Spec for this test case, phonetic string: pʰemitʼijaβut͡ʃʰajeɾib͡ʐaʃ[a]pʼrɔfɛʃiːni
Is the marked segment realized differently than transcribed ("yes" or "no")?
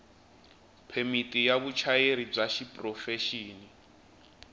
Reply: yes